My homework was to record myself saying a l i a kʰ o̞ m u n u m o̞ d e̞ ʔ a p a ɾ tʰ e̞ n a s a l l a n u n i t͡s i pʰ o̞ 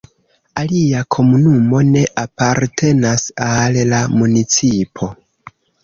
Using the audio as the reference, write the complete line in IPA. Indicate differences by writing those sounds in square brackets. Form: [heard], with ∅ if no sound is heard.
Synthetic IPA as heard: a l i a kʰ o̞ m u n u m o̞ [n] e̞ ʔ a p a ɾ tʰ e̞ n a s a l l a [m] u n i t͡s i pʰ o̞